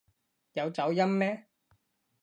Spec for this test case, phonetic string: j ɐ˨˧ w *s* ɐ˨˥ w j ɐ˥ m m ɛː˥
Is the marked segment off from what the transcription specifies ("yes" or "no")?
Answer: yes